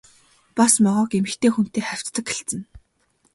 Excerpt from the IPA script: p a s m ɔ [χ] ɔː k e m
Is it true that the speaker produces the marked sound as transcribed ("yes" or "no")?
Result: no